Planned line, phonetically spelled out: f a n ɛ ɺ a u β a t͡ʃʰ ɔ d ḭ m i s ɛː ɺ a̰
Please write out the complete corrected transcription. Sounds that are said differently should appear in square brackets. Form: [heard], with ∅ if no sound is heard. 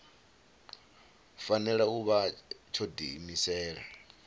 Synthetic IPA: f a n ɛ ɺ a u β a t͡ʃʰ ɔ d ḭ m i s ɛː ɺ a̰